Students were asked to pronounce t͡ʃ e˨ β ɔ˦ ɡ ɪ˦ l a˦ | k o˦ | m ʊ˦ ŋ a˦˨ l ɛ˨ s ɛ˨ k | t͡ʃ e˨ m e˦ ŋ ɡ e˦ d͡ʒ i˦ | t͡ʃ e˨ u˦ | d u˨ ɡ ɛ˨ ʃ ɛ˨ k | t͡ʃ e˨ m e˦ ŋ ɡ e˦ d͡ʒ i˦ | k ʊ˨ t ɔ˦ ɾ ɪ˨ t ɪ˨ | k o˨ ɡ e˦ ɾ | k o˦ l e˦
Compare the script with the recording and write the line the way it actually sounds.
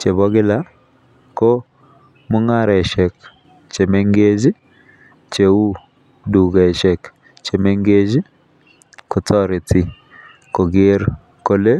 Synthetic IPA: t͡ʃ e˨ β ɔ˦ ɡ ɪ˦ l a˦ | k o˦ | m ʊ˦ ŋ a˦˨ ɾ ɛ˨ ʃ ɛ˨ k | t͡ʃ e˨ m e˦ ŋ ɡ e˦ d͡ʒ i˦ | t͡ʃ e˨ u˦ | d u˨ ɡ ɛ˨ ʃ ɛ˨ k | t͡ʃ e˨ m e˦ ŋ ɡ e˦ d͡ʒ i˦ | k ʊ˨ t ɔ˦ ɾ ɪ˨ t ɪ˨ | k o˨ ɡ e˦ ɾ | k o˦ l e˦

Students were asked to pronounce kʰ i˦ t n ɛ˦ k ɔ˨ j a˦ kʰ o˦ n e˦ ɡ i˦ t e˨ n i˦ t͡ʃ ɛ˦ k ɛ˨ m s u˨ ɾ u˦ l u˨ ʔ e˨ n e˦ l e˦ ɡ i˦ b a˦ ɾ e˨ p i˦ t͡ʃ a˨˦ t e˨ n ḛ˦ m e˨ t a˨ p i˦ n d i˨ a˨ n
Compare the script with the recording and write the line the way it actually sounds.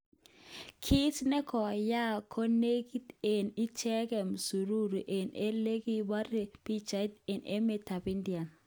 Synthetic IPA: kʰ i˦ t n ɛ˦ k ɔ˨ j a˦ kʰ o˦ n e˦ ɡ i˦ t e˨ n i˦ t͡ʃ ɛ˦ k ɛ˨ m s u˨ ɾ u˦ ɾ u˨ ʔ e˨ n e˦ l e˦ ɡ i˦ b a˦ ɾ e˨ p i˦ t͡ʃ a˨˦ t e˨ n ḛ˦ m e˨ t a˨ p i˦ n d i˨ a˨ n

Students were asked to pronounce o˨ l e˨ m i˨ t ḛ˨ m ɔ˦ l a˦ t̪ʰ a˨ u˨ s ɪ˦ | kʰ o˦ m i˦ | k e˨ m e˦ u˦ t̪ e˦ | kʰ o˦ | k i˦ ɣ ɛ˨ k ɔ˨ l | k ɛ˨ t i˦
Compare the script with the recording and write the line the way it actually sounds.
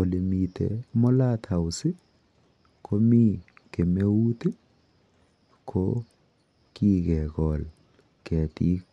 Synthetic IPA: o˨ l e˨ m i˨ t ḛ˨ m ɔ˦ l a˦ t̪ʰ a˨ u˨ s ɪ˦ | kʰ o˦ m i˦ | k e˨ m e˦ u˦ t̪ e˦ | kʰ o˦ | k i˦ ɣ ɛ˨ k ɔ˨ l | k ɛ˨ t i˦

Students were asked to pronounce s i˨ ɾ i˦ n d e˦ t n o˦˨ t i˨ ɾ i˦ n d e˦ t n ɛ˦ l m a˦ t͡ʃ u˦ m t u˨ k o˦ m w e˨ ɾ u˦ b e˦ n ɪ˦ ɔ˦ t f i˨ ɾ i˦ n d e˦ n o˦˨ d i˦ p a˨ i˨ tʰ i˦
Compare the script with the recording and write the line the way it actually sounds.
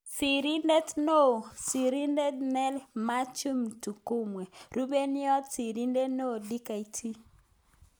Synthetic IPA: s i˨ ɾ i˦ n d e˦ t n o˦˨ s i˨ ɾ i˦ n d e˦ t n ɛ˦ l m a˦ t͡ʃ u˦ m t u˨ k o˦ m w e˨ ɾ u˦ b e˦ n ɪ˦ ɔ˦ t s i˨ ɾ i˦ n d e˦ n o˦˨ d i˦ k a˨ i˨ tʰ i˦

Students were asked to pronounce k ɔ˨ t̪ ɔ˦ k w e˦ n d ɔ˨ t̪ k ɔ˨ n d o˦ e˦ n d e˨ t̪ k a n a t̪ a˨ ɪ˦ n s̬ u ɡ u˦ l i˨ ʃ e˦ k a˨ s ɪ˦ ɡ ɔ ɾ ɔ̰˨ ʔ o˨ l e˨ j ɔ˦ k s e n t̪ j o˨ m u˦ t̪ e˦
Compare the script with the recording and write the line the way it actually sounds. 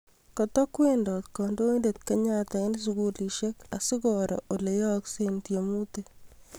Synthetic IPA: k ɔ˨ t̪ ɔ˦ k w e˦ n d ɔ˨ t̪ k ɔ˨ n d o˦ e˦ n d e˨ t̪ k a ɲ a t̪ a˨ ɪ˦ n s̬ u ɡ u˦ l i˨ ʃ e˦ k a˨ s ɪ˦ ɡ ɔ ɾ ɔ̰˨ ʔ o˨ l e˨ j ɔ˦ k s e n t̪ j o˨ m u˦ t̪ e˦

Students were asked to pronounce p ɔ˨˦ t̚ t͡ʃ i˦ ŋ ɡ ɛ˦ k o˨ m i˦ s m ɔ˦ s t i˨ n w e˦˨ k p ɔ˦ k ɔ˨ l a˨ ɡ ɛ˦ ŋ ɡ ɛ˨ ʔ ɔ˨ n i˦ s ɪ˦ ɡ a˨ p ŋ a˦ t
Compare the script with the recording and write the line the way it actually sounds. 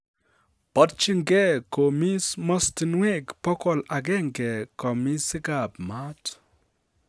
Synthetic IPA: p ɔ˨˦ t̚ t͡ʃ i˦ ŋ ɡ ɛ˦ k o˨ m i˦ s m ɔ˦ s t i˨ n w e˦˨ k p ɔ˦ k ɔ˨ l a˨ ɡ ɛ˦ ŋ ɡ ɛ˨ k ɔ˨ m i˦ s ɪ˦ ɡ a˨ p m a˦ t

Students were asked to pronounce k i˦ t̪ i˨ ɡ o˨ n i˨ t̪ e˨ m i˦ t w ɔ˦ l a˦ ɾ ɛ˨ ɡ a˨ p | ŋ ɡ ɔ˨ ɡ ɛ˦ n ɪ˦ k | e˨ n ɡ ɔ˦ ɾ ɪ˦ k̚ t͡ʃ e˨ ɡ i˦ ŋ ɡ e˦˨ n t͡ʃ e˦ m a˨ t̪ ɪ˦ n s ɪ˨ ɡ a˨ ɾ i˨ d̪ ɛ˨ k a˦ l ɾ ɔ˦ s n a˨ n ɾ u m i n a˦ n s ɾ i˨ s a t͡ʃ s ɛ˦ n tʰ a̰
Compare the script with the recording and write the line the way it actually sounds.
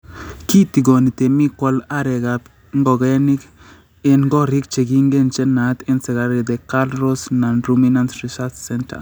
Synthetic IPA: k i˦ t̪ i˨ ɡ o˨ n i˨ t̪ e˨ m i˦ k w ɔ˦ l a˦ ɾ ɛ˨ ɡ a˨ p | ŋ ɡ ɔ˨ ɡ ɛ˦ n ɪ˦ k | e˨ n ɡ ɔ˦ ɾ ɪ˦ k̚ t͡ʃ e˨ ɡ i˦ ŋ ɡ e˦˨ n t͡ʃ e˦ n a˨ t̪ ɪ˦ n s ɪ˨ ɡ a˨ ɾ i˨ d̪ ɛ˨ k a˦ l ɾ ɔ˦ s n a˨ n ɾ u m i n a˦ n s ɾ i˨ s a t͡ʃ s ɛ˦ n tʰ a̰

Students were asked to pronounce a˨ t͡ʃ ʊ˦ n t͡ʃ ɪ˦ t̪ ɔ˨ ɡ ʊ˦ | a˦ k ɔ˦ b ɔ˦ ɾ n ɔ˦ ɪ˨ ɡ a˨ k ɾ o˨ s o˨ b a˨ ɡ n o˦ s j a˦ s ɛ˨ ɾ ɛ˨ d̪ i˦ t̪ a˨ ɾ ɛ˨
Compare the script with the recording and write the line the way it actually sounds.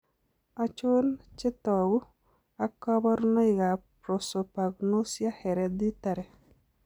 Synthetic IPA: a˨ t͡ʃ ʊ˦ n t͡ʃ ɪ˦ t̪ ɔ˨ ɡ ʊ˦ | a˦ k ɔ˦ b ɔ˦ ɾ n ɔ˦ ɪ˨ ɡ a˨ p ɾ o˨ s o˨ p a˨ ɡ n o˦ s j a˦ h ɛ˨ ɾ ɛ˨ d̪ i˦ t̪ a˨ ɾ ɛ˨

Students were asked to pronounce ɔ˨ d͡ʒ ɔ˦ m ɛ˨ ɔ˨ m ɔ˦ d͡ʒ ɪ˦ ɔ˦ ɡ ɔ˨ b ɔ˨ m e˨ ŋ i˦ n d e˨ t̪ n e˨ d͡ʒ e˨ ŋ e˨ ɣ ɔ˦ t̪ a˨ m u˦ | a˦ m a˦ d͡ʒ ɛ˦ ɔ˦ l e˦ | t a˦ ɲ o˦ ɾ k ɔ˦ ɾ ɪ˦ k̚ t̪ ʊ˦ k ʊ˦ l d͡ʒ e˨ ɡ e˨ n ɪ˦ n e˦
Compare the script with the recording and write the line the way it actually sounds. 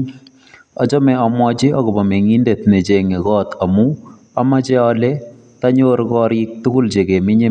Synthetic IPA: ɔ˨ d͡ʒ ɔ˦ m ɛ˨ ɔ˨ m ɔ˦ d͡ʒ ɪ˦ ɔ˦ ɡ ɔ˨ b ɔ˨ m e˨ ŋ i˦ n d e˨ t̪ n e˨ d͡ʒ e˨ ŋ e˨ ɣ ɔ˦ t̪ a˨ m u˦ | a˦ m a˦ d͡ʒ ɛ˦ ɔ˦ l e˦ | t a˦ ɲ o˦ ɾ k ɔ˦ ɾ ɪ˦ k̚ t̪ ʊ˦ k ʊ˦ l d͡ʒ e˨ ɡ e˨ m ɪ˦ ɲ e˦

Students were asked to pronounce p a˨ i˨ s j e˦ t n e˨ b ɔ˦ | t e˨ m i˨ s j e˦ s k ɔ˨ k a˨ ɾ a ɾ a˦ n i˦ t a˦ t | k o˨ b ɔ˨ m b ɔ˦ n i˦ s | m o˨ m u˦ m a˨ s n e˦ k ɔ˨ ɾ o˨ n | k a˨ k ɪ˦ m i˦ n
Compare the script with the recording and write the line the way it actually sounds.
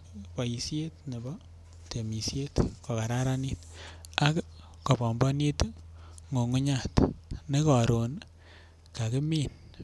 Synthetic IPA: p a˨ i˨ s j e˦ t n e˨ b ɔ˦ | t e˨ m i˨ s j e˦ t k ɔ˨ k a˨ ɾ a ɾ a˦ n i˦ t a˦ k | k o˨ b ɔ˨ m b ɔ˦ n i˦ t | ŋ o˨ ŋ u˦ ɲ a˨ t n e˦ k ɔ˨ ɾ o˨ n | k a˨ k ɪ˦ m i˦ n

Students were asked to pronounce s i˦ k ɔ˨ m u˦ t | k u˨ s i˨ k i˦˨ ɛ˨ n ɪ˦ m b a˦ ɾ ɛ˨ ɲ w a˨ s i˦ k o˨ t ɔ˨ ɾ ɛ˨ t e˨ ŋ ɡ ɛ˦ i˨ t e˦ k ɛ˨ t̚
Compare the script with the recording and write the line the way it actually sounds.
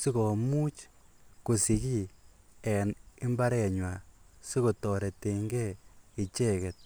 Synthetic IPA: s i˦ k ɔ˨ m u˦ t͡ʃ | k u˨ s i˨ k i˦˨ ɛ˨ n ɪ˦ m b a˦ ɾ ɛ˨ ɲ w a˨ s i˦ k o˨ t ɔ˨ ɾ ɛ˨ t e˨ ŋ ɡ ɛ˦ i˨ t͡ʃ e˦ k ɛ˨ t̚

